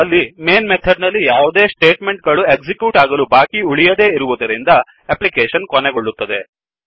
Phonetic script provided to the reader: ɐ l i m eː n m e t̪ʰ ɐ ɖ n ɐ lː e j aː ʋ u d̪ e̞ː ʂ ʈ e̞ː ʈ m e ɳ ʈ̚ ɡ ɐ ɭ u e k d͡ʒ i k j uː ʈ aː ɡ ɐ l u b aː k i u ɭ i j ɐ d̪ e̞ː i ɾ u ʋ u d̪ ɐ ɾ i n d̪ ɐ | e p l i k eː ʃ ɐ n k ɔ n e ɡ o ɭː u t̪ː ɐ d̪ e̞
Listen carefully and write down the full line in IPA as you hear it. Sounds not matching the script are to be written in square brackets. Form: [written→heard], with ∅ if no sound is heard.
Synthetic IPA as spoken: ɐ [l→lː] i m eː n m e t̪ʰ ɐ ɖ n ɐ lː [e→i] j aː ʋ u d̪ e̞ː [ʂ→s] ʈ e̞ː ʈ m e ɳ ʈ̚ ɡ ɐ ɭ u e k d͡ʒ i k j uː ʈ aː ɡ ɐ l u b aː k i u ɭ i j ɐ d̪ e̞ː i ɾ u ʋ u d̪ ɐ ɾ i n d̪ ɐ | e p l i k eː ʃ ɐ n k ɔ n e ɡ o ɭː u t̪ː ɐ d̪ e̞